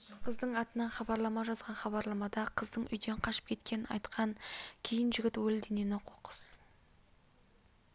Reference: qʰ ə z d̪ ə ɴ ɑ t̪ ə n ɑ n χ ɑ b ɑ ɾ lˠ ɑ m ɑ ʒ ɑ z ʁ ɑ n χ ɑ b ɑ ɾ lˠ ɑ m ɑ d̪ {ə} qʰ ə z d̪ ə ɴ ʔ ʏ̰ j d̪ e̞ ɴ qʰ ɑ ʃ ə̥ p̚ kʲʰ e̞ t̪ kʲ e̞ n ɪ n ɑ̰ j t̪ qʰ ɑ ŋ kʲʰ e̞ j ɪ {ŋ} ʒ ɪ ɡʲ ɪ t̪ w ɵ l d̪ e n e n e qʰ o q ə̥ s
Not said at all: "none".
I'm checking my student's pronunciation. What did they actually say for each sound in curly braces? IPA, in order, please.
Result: ɑ, n

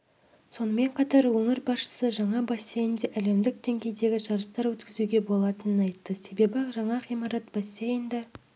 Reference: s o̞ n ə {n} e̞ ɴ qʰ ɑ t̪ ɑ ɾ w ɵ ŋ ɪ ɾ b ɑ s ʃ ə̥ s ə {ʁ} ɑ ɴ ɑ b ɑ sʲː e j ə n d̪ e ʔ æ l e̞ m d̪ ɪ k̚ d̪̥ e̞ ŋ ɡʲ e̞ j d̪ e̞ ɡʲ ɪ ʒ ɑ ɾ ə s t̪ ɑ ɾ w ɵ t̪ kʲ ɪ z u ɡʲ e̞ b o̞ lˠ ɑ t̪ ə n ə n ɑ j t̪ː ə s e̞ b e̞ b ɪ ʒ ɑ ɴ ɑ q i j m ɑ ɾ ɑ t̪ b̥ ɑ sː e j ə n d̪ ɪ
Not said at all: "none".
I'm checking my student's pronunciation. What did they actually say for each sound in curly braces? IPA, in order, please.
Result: m, ʒ

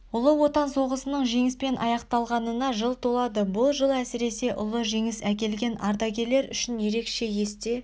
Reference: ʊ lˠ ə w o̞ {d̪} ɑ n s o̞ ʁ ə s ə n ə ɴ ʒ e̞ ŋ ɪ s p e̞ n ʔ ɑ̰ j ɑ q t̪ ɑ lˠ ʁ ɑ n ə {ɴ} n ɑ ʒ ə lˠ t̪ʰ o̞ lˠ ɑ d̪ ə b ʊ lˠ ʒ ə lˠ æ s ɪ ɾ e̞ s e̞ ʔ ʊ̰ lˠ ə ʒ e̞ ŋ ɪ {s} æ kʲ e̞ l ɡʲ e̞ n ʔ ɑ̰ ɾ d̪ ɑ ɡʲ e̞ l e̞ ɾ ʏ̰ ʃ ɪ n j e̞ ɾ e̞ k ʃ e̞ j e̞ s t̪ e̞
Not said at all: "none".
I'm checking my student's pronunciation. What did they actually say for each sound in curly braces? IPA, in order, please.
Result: t̪, none, s

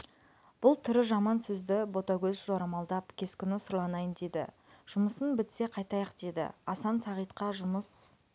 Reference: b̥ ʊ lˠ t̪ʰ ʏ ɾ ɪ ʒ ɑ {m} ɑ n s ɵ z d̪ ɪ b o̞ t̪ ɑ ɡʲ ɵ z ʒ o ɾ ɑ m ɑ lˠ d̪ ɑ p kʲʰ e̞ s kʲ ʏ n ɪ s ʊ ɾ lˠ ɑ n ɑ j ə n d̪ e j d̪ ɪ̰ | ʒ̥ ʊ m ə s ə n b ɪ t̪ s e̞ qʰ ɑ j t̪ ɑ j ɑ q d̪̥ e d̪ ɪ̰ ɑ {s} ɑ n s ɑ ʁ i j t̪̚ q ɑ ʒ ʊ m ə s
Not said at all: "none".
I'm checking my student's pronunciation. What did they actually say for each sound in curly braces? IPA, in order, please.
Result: m, s

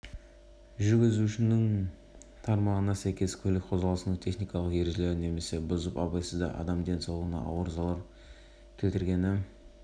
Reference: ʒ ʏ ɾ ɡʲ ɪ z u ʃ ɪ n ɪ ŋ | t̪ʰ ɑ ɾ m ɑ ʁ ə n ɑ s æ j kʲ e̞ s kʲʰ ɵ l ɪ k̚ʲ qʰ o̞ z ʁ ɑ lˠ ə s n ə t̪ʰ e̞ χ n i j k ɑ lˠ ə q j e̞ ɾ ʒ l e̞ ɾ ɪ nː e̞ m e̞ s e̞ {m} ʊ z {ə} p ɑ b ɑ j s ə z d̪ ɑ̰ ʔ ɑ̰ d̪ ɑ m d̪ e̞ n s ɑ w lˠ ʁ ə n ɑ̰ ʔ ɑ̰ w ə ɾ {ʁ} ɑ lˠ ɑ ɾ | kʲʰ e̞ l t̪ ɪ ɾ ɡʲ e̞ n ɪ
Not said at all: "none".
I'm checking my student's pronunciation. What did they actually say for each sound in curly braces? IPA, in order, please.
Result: b, ə, z

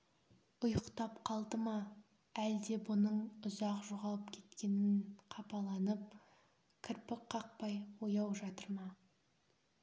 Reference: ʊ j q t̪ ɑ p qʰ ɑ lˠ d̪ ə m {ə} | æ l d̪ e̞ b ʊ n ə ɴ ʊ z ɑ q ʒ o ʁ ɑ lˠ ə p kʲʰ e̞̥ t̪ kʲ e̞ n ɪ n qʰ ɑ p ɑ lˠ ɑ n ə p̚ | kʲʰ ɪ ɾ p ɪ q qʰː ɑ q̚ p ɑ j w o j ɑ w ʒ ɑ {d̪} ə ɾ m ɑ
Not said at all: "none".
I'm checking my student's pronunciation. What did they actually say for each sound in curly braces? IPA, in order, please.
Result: ɑ, t̪

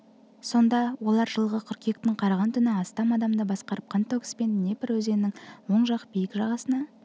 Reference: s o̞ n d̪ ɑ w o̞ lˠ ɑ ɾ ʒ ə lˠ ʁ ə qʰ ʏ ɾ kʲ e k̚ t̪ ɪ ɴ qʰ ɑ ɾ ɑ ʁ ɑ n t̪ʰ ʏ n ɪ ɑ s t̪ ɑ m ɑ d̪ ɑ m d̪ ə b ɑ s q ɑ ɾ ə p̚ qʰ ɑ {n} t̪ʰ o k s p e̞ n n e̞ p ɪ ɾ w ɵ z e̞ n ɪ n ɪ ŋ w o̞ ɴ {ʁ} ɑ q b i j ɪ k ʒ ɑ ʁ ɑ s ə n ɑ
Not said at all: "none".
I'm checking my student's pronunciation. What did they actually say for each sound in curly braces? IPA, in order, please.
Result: n, ʒ

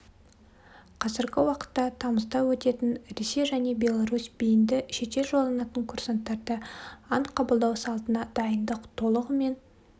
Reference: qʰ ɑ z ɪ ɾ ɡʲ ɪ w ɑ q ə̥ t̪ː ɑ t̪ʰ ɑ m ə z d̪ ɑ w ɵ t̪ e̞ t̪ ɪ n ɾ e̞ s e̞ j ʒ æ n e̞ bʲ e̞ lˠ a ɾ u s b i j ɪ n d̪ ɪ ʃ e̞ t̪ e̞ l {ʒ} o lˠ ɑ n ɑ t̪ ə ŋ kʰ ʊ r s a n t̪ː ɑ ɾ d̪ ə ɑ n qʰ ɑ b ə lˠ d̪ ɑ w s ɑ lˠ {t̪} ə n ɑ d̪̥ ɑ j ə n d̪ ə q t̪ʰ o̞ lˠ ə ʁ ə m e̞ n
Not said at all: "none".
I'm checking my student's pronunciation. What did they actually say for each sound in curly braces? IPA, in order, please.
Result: ʒ, t̪

